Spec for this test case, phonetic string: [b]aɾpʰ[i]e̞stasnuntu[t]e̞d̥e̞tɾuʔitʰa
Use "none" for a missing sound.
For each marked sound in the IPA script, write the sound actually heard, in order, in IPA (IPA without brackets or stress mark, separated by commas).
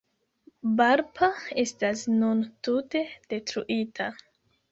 b, a, t